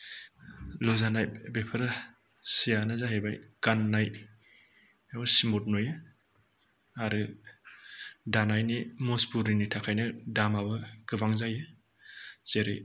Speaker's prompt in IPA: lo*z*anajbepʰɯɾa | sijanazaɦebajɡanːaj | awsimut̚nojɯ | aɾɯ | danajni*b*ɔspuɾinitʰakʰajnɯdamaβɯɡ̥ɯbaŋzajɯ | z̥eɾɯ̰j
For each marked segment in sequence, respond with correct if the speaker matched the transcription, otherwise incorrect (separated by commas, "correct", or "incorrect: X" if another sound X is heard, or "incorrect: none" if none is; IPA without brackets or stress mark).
correct, incorrect: m